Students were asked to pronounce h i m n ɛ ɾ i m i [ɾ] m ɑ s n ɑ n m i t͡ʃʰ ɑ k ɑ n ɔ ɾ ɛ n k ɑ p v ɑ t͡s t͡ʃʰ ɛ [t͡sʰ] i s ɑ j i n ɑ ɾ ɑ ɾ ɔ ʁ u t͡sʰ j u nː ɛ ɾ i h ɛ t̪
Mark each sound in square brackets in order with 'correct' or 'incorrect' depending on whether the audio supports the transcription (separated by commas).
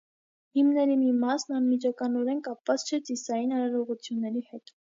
incorrect, incorrect